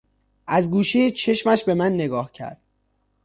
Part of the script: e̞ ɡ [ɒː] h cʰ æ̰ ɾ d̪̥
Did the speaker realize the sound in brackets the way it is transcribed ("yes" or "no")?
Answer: yes